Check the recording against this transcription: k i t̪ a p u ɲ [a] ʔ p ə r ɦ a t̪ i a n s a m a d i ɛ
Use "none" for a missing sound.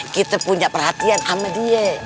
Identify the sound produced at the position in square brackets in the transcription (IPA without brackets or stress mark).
a